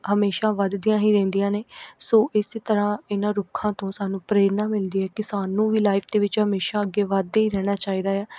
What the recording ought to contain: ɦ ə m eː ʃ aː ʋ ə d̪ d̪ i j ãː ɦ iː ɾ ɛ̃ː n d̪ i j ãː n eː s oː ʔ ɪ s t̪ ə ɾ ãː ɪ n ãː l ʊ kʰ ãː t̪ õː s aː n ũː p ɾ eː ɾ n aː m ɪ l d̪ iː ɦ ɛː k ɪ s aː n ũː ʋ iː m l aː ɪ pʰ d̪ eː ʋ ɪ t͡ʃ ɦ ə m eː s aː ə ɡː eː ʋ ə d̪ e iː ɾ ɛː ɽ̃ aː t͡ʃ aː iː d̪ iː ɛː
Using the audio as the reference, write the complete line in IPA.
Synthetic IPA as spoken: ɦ ə m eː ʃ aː ʋ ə d̪ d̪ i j ãː ɦ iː ɾ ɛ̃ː n d̪ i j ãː n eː s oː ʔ ɪ s t̪ ə ɾ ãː ɪ n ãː ɾ ʊ kʰ ãː t̪ õː s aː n ũː p ɾ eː ɾ n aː m ɪ l d̪ iː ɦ ɛː k ɪ s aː n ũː ʋ iː l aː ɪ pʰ d̪ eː ʋ ɪ t͡ʃ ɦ ə m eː ʃ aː ə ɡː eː ʋ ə d̪ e iː ɾ ɛː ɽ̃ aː t͡ʃ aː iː d̪ aː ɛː

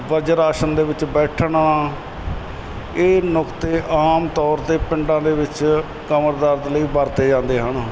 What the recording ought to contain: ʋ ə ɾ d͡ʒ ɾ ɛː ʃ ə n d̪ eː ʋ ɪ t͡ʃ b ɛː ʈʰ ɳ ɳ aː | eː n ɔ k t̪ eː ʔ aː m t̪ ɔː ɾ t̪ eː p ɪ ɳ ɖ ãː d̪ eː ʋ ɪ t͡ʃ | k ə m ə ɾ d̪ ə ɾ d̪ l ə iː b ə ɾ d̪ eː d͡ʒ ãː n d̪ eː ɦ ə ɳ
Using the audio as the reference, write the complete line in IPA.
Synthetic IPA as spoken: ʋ ə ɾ d͡ʒ ɾ aː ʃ ə n d̪ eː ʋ ɪ t͡ʃ b ɛː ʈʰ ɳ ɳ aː | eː n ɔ k t̪ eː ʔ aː m t̪ ɔː ɾ t̪ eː p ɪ ɳ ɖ ãː d̪ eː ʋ ɪ t͡ʃ | k ə m ə ɾ d̪ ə ɾ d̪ l ə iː b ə ɾ t̪ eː d͡ʒ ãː n d̪ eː ɦ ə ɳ

